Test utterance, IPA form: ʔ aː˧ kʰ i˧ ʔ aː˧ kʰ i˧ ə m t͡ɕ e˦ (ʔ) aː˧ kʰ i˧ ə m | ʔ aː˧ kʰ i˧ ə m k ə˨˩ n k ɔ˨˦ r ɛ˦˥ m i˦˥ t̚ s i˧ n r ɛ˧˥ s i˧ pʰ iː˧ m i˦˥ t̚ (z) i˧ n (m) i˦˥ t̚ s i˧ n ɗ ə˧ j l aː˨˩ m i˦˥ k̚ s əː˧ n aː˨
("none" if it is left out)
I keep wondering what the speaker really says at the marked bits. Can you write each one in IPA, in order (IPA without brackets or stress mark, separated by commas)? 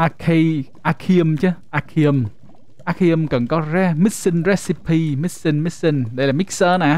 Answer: ʔ, s, m